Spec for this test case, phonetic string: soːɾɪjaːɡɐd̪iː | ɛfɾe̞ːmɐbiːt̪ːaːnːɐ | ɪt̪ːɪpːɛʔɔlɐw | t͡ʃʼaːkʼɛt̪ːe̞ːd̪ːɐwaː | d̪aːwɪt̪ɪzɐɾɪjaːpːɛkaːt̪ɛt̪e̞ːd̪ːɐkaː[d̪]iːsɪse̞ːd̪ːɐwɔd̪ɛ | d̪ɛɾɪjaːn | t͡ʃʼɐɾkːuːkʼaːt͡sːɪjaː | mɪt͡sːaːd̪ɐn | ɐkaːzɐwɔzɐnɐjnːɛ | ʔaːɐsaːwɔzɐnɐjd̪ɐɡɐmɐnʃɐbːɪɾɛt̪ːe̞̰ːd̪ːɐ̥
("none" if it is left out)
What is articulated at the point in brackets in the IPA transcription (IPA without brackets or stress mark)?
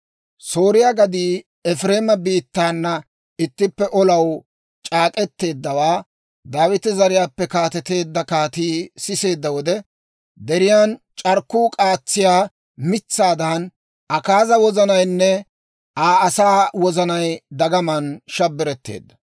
t̪